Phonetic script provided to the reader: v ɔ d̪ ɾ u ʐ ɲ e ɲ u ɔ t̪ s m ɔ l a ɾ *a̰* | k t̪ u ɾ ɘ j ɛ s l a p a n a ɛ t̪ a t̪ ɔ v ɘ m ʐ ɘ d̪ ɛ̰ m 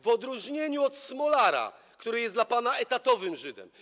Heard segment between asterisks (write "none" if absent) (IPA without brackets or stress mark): a̰